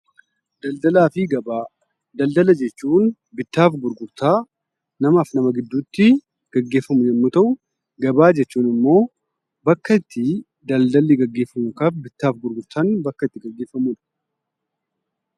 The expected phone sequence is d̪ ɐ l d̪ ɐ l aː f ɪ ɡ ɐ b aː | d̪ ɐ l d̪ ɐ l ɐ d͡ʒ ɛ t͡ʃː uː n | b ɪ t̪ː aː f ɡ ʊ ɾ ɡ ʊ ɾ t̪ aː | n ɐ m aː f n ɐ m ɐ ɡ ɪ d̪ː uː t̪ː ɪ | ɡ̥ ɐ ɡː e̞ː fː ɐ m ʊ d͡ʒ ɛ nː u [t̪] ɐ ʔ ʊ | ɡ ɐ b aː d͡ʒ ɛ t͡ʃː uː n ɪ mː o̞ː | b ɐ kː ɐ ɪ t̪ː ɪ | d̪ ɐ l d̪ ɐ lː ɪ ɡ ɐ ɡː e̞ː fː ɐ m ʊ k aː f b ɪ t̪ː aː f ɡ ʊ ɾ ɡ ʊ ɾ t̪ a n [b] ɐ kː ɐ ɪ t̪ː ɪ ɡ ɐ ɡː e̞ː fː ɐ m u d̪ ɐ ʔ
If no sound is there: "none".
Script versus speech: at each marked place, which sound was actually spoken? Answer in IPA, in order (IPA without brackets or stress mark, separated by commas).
t̪, b